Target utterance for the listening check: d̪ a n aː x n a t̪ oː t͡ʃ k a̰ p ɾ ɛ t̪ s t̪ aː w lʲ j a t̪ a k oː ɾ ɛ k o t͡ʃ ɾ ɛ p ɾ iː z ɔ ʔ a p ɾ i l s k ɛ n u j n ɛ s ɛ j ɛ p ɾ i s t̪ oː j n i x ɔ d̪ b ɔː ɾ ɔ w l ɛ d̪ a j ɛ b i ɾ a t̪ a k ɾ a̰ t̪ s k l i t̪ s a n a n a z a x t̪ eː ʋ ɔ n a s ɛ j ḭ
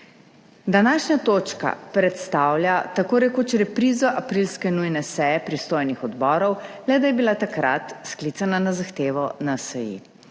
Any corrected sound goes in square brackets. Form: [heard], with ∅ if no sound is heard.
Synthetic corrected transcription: d̪ a n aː [ʃ] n a t̪ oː t͡ʃ k a̰ p ɾ ɛ t̪ s t̪ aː w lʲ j a t̪ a k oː ɾ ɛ k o t͡ʃ ɾ ɛ p ɾ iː z ɔ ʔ a p ɾ i l s k ɛ n u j n ɛ s ɛ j ɛ p ɾ i s t̪ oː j n i x ɔ d̪ b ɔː ɾ ɔ w l ɛ d̪ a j ɛ b i [l] a t̪ a k ɾ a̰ t̪ s k l i t̪ s a n a n a z a x t̪ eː ʋ ɔ n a s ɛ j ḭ